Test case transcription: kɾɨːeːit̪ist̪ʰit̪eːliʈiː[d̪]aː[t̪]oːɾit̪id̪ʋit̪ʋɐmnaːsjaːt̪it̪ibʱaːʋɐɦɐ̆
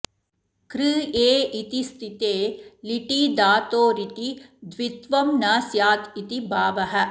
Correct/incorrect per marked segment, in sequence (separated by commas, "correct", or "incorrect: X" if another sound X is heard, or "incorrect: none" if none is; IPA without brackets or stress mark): correct, correct